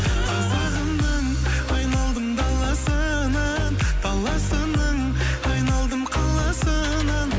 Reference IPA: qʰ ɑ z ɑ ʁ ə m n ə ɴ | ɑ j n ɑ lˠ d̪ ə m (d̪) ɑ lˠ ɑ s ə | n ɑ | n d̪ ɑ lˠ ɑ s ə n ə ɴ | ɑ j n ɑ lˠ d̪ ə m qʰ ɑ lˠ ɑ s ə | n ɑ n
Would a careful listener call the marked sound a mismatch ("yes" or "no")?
no